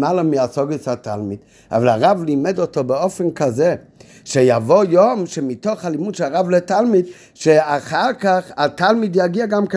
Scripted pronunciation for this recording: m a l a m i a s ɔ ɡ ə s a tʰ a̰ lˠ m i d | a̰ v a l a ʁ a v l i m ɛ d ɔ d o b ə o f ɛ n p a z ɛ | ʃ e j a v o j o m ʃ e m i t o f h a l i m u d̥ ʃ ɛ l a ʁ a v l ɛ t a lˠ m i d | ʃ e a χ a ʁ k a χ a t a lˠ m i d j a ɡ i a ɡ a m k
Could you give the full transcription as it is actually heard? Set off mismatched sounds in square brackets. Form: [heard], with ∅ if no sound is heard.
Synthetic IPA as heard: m a l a m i a s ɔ ɡ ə s a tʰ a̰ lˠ m i d | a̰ v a l a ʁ a v l i m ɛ d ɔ [t] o b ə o f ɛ n [k] a z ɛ | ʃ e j a v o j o m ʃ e m i t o [χ] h a l i m u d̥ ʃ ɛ l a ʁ a v l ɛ t a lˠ m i d | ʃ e a χ a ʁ k a χ a t a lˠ m i d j a ɡ i a ɡ a m k